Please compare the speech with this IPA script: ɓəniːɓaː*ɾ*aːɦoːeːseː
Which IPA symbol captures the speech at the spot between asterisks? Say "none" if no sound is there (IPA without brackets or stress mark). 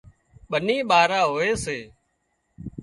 ɾ